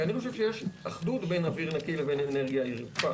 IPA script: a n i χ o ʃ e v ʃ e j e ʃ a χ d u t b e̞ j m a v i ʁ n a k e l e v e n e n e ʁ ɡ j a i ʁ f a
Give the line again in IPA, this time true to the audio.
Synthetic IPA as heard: a n i χ o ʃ e v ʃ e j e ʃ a χ d u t b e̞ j n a v i ʁ n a k i l e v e n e n e ʁ ɡ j a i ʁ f a